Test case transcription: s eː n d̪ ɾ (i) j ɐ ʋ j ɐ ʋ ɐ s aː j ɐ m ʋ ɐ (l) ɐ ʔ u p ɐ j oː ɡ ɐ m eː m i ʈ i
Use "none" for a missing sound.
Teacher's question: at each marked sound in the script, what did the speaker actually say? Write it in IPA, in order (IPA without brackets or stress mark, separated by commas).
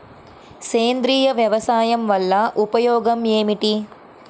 iː, lː